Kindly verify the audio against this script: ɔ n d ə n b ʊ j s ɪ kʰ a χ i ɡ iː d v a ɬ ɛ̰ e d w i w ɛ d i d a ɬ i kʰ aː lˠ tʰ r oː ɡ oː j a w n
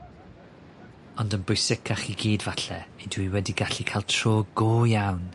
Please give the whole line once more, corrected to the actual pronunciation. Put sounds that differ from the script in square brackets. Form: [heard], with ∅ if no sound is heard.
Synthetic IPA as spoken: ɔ n d ə n b ʊ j s ɪ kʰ a χ i ɡ iː d v a ɬ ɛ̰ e d w i w ɛ d i [ɡ] a ɬ i kʰ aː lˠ tʰ r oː ɡ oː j a w n